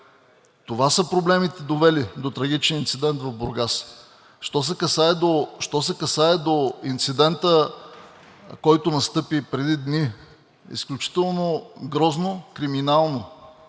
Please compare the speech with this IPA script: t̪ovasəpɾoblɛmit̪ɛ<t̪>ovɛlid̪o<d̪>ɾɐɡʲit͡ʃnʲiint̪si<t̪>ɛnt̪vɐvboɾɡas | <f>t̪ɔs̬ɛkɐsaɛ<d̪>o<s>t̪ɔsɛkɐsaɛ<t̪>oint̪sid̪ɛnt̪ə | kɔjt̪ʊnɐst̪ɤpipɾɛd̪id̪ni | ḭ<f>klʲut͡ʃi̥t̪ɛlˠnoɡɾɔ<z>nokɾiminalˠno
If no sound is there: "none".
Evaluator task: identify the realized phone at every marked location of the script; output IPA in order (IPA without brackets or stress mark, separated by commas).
d̪, t̪, d̪, ʃ, d̪, ʃ, d̪, s, z